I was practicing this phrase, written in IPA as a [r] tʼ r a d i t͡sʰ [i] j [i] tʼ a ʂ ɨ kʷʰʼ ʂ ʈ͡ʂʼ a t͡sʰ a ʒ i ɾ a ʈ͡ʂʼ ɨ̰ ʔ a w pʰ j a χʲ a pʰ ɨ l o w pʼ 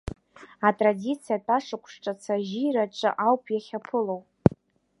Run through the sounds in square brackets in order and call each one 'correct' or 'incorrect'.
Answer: incorrect, correct, incorrect

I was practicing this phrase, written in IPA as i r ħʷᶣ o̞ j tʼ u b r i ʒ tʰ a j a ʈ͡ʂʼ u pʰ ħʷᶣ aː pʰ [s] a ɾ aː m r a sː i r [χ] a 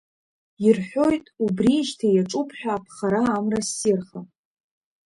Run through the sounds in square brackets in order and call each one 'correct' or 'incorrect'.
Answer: incorrect, correct

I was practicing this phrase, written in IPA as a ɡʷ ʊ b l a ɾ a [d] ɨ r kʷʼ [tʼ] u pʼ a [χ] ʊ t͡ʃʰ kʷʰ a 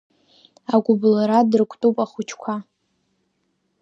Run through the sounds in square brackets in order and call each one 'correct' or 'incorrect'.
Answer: correct, correct, correct

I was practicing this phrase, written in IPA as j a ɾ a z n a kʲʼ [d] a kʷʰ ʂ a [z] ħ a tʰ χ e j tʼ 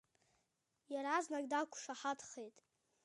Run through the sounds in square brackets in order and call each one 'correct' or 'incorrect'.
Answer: correct, incorrect

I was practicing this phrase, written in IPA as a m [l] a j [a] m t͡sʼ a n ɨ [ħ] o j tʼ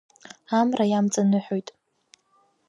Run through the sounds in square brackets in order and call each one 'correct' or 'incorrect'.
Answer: incorrect, correct, correct

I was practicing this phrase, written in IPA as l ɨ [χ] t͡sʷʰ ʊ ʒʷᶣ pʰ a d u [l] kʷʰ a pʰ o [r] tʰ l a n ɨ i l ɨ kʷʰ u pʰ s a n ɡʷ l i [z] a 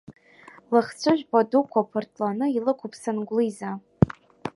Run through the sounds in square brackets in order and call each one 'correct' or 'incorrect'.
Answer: correct, incorrect, correct, correct

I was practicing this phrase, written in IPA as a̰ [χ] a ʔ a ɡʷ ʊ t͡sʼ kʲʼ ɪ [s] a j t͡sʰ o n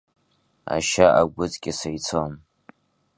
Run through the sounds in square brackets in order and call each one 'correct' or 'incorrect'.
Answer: incorrect, correct

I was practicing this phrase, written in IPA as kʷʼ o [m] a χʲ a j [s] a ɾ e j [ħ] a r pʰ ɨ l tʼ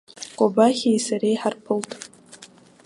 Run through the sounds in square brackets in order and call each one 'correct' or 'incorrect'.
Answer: incorrect, correct, correct

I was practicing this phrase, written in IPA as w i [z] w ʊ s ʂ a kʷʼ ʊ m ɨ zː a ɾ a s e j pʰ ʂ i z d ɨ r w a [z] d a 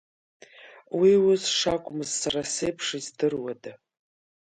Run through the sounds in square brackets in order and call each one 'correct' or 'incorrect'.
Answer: incorrect, incorrect

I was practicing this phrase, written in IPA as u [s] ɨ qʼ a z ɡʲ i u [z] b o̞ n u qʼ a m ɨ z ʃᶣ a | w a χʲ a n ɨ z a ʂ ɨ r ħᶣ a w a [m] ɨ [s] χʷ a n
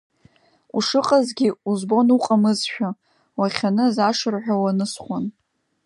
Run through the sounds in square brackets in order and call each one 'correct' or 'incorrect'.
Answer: incorrect, correct, incorrect, correct

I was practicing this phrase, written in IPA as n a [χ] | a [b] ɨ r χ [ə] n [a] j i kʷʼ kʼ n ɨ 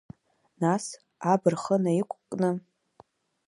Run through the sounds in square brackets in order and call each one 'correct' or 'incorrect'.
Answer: incorrect, correct, correct, correct

